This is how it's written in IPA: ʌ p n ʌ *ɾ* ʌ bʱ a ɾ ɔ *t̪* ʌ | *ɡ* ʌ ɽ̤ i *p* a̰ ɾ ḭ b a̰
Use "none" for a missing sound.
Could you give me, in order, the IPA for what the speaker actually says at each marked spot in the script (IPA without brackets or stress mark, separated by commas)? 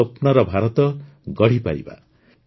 ɾ, t̪, ɡ, p